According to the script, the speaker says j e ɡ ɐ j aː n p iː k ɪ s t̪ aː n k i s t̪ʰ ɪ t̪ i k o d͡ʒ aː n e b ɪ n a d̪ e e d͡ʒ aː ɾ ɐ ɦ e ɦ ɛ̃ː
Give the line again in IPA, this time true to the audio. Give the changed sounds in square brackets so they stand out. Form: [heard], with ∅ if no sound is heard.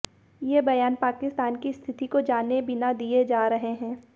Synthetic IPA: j e [b] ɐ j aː n p [aː] k ɪ s t̪ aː n k i s t̪ʰ ɪ t̪ i k o d͡ʒ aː n e b ɪ n a d̪ [i] e d͡ʒ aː ɾ ɐ ɦ e ɦ ɛ̃ː